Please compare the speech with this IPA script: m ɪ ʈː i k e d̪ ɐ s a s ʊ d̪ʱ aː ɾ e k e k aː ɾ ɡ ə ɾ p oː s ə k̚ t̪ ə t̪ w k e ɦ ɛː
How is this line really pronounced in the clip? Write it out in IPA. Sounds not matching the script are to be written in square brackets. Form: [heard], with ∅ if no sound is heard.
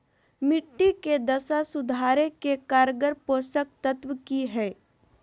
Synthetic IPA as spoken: m ɪ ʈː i k e d̪ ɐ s a s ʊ d̪ʱ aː ɾ e k e k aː ɾ ɡ ə ɾ p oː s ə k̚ t̪ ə t̪ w k [i] ɦ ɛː